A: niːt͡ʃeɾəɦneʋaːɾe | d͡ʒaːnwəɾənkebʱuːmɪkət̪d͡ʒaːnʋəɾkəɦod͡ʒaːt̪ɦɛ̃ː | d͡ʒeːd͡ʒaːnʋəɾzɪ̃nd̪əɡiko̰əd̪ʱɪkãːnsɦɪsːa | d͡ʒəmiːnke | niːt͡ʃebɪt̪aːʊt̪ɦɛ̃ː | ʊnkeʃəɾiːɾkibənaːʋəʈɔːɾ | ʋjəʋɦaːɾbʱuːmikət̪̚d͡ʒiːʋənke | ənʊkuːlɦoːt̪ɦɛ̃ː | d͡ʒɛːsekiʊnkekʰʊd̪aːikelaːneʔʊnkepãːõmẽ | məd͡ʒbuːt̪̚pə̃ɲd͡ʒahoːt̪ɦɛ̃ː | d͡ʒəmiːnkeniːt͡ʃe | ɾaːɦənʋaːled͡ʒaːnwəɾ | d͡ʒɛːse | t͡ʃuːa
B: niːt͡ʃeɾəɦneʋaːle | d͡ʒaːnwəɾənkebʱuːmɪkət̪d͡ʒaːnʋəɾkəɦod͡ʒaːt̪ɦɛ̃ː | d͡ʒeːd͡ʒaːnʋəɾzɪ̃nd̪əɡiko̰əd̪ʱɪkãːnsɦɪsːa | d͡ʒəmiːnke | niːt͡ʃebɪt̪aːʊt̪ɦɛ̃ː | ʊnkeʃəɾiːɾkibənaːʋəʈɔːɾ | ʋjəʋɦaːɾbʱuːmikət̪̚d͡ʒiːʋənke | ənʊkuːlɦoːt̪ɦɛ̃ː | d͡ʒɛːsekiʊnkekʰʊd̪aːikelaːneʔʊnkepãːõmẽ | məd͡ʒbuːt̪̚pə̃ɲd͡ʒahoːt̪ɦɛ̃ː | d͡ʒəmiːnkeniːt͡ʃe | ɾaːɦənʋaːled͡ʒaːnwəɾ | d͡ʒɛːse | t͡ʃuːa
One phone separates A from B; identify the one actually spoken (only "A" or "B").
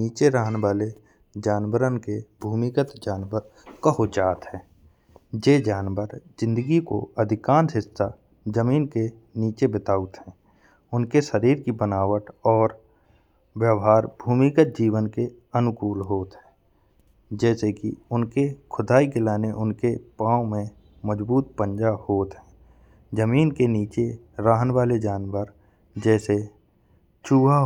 B